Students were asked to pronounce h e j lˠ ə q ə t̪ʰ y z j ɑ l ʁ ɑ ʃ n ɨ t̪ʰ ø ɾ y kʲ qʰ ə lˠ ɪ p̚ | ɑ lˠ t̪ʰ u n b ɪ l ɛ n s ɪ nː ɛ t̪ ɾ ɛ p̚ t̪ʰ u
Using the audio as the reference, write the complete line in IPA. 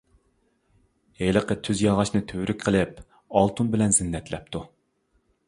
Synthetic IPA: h e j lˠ ə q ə t̪ʰ y z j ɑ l ʁ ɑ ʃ n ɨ t̪ʰ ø ɾ y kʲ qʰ ə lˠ ɪ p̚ | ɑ lˠ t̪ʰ u n b ɪ l ɛ n z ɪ nː ɛ t̪ l ɛ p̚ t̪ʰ u

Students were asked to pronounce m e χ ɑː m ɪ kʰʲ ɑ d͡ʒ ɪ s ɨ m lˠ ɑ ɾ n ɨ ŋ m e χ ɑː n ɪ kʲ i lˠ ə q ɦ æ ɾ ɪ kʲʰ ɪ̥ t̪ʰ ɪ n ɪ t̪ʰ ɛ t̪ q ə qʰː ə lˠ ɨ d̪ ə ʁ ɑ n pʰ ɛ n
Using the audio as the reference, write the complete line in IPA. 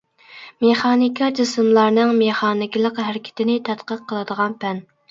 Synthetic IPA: m e χ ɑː n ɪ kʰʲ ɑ d͡ʒ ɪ s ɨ m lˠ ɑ ɾ n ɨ ŋ m e χ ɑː n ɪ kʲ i lˠ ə q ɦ æ ɾ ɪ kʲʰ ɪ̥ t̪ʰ ɪ n ɪ t̪ʰ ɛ t̪ q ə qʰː ə lˠ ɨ d̪ ə ʁ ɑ n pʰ ɛ n

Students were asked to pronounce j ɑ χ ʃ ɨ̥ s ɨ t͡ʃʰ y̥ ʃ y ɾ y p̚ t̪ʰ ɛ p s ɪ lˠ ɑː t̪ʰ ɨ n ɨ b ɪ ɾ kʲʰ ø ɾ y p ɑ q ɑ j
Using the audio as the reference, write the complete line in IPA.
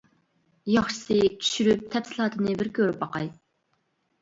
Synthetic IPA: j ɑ χ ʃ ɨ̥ s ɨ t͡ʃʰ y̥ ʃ y ɾ y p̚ t̪ʰ ɛ p s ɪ lˠ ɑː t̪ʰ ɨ n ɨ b ɪ ɾ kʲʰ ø ɾ y p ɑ q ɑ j

